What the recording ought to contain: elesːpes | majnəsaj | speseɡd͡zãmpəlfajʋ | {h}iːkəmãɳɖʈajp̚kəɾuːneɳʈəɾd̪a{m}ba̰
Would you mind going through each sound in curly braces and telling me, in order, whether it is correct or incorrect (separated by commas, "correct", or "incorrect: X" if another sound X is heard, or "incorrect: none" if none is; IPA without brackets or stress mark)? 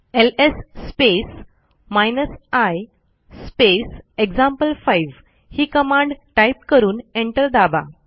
correct, incorrect: none